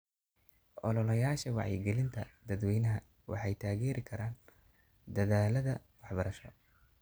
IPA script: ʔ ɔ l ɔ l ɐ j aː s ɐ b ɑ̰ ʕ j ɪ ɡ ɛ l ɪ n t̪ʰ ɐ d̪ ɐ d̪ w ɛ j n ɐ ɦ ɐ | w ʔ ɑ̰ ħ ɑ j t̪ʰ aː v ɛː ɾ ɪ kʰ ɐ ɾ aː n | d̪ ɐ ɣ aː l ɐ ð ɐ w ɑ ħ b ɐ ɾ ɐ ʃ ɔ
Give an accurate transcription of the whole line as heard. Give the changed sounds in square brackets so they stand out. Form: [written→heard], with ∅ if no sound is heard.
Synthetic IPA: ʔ ɔ l ɔ l ɐ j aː [s→ʃ] ɐ [b→w] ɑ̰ ʕ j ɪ ɡ ɛ l ɪ n t̪ʰ ɐ d̪ ɐ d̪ w ɛ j n ɐ ɦ ɐ | w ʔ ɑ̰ ħ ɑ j t̪ʰ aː [v→ɣ] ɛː ɾ ɪ kʰ ɐ ɾ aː n | d̪ ɐ [ɣ→ð] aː l ɐ ð ɐ w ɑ ħ b ɐ ɾ ɐ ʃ ɔ